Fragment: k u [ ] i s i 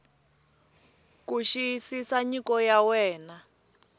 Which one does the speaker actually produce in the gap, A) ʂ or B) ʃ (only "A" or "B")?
B